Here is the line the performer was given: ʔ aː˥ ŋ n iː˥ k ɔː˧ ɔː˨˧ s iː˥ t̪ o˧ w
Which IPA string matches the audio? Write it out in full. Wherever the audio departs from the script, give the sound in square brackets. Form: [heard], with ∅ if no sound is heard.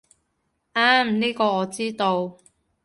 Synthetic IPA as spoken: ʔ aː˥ [m] n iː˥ k ɔː˧ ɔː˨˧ [t͡s] iː˥ t̪ o˧ w